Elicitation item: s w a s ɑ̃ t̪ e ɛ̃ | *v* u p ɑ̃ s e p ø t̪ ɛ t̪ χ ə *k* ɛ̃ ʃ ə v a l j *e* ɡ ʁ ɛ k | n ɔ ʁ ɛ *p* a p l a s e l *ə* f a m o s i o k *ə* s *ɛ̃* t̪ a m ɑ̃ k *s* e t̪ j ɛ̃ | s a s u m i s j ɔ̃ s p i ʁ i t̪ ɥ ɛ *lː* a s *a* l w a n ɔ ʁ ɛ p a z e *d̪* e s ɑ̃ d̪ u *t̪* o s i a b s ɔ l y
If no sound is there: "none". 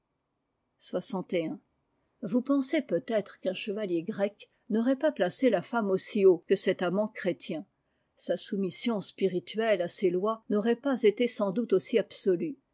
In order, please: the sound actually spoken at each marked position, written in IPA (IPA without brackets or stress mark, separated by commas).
v, k, e, p, a, ə, ɛ, χ, l, e, t̪, t̪